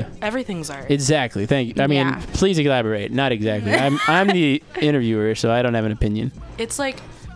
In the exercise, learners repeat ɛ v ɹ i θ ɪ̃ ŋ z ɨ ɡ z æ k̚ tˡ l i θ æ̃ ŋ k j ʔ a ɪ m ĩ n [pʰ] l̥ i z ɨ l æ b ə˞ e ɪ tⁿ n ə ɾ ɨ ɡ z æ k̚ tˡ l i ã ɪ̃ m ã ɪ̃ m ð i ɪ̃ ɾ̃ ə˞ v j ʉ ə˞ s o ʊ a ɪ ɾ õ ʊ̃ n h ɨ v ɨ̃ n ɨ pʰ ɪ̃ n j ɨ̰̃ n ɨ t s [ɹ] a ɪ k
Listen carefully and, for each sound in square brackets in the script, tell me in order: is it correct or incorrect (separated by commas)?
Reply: correct, incorrect